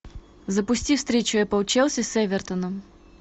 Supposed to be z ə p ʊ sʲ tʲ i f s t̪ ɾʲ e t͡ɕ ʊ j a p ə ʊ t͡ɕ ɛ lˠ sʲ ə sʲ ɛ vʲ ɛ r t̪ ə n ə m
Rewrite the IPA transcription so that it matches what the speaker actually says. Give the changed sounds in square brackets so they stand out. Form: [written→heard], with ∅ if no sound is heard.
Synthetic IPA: z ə p ʊ sʲ tʲ i f s t̪ ɾʲ e t͡ɕ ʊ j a p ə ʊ t͡ɕ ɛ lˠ sʲ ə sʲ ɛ vʲ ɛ r t̪ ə n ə m